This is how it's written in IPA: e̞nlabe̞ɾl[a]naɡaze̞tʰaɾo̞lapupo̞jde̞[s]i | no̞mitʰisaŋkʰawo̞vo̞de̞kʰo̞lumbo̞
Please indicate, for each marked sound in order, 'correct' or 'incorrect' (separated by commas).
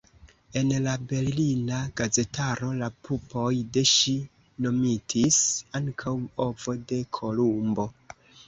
incorrect, incorrect